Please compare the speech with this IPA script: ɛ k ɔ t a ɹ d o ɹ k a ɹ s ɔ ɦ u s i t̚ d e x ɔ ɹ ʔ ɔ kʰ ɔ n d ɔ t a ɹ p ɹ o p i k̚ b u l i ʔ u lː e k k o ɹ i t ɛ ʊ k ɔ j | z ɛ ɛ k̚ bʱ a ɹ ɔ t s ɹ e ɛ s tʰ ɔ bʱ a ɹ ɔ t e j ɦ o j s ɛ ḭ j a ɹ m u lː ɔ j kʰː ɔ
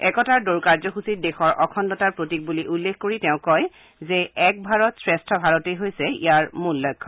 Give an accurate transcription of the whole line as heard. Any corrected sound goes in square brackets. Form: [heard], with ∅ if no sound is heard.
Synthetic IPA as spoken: ɛ k ɔ t a ɹ d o ɹ k a ɹ [z] ɔ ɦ u s i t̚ d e x ɔ ɹ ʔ ɔ kʰ ɔ n d ɔ t a ɹ p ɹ o [t] i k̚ b u l i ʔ u lː e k k o ɹ i t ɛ [ʊ̃] k ɔ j | z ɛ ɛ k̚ bʱ a ɹ ɔ t s ɹ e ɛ s tʰ ɔ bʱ a ɹ ɔ t e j ɦ o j s ɛ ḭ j a ɹ m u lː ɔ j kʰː ɔ